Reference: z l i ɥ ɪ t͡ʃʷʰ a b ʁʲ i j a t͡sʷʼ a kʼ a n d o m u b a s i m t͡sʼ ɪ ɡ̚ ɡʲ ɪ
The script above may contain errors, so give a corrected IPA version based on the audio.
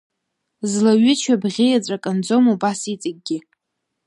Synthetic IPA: z l a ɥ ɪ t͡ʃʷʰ a b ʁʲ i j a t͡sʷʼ a kʼ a n d͡z o m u b a s i t͡sʼ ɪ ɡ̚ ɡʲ ɪ